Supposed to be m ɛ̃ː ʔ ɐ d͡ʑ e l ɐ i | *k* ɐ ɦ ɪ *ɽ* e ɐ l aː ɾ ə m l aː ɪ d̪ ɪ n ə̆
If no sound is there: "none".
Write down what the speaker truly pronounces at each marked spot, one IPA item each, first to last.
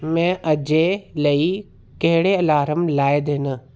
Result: k, ɽ

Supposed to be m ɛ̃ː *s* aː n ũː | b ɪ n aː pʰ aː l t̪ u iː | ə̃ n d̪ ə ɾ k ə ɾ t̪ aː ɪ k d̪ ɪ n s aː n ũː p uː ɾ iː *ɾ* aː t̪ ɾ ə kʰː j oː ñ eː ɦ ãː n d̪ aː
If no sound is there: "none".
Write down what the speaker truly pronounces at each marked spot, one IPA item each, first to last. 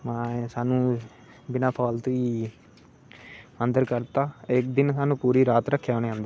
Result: s, ɾ

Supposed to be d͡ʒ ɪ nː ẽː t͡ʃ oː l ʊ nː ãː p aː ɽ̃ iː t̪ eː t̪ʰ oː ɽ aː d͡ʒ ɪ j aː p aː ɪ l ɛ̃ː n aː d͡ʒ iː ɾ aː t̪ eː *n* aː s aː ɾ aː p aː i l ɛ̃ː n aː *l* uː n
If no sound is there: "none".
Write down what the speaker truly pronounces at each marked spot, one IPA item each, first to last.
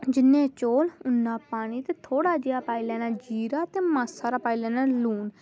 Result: m, l

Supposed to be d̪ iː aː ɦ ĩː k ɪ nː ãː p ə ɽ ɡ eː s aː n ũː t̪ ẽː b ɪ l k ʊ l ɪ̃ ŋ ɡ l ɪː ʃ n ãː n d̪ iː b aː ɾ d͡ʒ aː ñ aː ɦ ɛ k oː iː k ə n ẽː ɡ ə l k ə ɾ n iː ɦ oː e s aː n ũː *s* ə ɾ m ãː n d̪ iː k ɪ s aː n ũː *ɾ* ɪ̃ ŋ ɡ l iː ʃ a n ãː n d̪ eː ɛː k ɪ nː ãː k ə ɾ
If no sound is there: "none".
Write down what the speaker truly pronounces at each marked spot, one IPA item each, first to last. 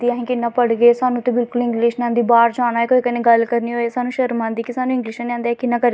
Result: ʃ, none

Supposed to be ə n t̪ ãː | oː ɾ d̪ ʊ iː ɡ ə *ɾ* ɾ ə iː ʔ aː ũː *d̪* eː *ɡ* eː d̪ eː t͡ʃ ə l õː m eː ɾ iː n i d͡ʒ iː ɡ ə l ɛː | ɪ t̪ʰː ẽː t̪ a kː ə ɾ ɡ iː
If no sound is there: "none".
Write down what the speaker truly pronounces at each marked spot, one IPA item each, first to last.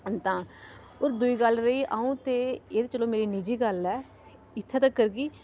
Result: l, t̪, none

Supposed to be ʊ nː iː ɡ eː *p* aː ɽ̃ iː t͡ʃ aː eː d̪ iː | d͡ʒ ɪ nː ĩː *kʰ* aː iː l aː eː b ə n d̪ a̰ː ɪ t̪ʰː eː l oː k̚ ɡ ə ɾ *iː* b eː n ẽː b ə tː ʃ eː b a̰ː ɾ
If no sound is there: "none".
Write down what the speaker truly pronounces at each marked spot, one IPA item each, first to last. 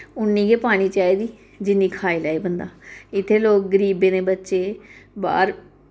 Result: p, kʰ, iː

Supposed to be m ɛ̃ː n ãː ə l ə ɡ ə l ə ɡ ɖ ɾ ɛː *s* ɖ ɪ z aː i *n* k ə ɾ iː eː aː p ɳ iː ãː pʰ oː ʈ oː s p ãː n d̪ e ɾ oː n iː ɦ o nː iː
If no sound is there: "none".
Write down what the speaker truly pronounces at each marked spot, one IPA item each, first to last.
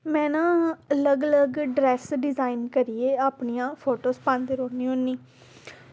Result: s, n

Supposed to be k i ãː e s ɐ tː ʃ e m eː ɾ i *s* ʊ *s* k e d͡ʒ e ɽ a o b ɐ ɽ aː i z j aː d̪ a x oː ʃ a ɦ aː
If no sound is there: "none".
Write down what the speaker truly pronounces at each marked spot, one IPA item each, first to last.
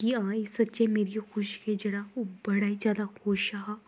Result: x, ʃ

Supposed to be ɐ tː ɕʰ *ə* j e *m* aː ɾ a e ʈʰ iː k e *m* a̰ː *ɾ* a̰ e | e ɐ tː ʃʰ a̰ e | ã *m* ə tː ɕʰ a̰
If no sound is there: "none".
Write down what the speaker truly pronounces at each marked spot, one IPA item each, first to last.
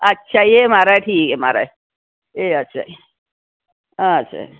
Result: a, m, m, ɾ, none

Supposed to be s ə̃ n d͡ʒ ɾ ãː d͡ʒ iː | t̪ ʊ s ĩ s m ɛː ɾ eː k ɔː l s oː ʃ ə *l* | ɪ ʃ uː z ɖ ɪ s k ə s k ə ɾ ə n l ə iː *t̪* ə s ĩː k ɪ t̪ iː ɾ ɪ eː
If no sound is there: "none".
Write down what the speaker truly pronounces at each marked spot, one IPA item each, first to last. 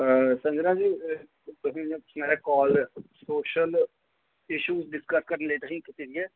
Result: l, t̪

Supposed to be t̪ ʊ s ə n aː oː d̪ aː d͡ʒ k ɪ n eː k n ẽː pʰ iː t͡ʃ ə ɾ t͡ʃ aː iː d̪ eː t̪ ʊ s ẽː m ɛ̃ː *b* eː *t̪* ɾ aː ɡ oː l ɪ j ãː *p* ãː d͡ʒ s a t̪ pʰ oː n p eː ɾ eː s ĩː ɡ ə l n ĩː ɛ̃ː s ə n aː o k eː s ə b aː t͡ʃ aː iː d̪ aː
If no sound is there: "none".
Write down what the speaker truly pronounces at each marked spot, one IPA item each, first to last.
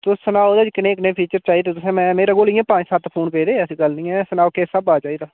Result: m, none, p

